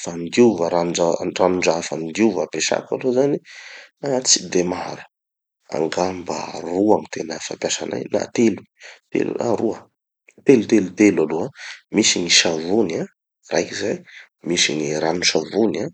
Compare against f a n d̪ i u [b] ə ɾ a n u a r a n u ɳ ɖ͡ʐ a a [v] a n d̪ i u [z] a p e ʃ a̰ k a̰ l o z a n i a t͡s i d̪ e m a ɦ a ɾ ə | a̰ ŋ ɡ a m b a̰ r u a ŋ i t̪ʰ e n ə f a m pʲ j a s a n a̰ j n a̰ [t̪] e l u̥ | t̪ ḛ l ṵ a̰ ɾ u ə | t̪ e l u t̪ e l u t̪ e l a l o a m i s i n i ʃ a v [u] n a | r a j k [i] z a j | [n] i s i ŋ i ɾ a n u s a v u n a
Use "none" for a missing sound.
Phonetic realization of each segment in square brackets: v, f, v, t̪, u, i, m

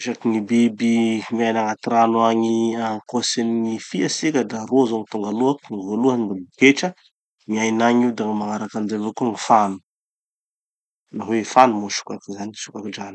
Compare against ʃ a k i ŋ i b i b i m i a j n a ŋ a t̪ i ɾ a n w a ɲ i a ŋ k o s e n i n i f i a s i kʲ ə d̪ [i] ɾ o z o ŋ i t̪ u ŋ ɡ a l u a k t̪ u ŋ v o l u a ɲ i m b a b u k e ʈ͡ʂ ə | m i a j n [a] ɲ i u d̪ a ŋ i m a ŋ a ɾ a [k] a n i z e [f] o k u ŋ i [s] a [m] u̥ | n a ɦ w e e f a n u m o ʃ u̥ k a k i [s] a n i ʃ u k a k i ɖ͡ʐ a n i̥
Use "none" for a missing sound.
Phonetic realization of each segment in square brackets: a, a, k, v, f, n, z

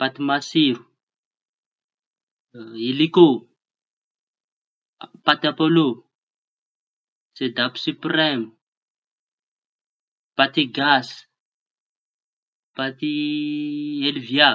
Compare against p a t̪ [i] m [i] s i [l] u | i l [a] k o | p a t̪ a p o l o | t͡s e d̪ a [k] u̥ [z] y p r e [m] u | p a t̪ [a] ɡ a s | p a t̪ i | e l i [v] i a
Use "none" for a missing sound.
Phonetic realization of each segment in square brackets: i, a, ɾ, i, p, s, m, i, v

